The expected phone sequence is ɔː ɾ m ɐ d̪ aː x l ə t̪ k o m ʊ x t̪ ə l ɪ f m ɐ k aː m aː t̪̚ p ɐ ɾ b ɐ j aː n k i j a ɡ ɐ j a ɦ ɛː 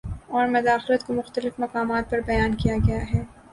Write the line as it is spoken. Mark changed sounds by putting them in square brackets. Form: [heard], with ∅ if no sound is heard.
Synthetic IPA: ɔː ɾ m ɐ d̪ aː x l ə t̪ k o m ʊ x t̪ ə l ɪ f m ɐ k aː m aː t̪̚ p ɐ ɾ b ɐ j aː n k i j a ɡ ɐ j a ɦ ɛː